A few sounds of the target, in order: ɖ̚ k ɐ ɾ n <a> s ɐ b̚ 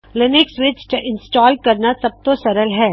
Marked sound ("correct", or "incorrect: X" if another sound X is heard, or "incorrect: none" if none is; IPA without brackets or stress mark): correct